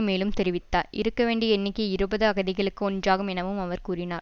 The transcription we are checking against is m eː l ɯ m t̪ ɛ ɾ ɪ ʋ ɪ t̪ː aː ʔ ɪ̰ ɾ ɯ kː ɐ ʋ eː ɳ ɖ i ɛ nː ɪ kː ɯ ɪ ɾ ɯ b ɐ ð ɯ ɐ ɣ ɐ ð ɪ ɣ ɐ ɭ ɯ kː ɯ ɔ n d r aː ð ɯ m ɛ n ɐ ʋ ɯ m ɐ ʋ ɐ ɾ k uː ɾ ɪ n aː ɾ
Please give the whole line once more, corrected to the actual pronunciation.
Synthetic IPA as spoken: m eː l ɯ m t̪ ɛ ɾ ɪ ʋ ɪ t̪ː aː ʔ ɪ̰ ɾ ɯ kː ɐ ʋ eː ɳ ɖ i ɛ nː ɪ kː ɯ ɪ ɾ ɯ b ɐ ð ɯ ɐ ɣ ɐ ð ɪ ɣ ɐ ɭ ɯ kː ɯ ɔ n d r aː ɣ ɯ m ɛ n ɐ ʋ ɯ m ɐ ʋ ɐ ɾ k uː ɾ ɪ n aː ɾ